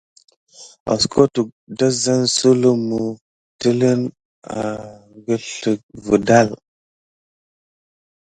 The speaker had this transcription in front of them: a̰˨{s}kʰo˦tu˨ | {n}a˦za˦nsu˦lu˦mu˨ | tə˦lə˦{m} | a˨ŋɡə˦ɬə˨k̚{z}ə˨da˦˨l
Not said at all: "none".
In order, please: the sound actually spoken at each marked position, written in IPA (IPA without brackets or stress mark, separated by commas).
s, d, n, v